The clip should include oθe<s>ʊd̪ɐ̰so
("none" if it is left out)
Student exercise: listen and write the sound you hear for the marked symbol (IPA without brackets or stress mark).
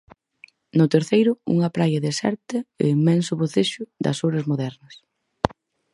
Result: ʃ